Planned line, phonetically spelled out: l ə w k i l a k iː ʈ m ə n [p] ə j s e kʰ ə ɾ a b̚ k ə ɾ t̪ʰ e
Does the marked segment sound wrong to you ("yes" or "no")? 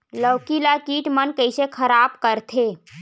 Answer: yes